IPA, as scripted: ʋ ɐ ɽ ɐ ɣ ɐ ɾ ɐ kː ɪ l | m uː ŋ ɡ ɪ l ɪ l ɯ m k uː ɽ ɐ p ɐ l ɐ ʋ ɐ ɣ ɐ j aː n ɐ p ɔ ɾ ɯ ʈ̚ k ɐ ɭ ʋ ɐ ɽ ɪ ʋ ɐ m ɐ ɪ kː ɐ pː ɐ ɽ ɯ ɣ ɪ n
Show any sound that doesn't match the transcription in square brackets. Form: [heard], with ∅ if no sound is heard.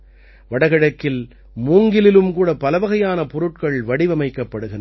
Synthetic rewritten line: ʋ ɐ ɽ ɐ ɣ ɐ [ɽ] ɐ kː ɪ l | m uː ŋ ɡ ɪ l ɪ l ɯ m k uː ɽ ɐ p ɐ l ɐ ʋ ɐ ɣ ɐ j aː n ɐ p ɔ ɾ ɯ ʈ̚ k ɐ ɭ ʋ ɐ ɽ ɪ ʋ ɐ m ɐ ɪ kː ɐ pː ɐ ɽ ɯ ɣ ɪ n